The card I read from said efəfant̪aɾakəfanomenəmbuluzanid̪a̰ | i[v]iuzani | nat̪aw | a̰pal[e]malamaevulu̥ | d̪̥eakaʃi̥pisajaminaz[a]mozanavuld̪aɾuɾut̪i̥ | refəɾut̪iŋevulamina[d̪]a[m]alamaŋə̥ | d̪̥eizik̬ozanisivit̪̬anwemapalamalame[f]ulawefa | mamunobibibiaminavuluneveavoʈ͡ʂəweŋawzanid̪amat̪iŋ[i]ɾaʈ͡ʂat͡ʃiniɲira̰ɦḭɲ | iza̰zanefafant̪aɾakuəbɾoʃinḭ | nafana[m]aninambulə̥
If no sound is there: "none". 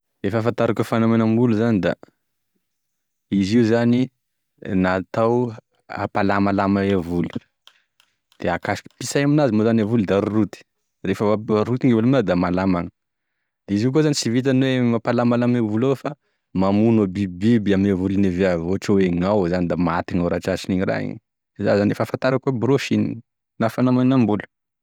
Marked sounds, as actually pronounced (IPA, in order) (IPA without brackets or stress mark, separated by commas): z, a, i, d̪, m, v, a, m